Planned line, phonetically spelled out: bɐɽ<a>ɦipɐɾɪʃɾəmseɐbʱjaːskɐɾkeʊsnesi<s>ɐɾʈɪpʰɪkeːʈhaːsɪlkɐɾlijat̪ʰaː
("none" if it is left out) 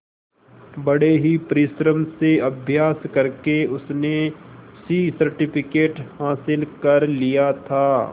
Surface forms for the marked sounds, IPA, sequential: e, s

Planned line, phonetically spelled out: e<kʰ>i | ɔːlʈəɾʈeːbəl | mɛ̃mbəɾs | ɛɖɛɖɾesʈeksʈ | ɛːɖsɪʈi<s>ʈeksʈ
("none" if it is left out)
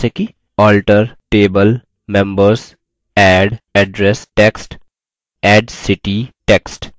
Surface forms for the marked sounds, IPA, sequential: k, none

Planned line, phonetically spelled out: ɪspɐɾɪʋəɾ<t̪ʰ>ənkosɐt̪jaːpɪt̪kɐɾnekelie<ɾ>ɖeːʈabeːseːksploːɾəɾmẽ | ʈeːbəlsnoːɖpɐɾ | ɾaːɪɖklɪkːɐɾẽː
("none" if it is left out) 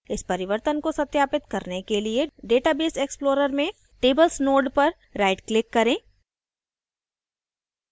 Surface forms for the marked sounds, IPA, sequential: t̪, none

